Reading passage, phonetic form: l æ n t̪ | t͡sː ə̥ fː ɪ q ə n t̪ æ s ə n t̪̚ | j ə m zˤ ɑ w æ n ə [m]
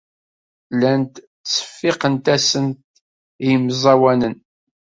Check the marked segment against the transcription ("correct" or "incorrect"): incorrect